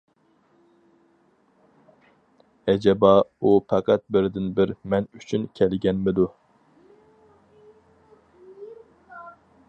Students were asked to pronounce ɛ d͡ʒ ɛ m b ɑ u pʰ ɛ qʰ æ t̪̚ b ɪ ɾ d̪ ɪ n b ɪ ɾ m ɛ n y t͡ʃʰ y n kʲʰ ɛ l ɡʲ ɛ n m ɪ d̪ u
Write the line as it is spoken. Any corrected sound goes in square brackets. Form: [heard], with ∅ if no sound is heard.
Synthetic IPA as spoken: ɛ d͡ʒ ɛ [∅] b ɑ u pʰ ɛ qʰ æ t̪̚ b ɪ ɾ d̪ ɪ n b ɪ ɾ m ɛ n y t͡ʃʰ y n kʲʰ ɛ l ɡʲ ɛ n m ɪ d̪ u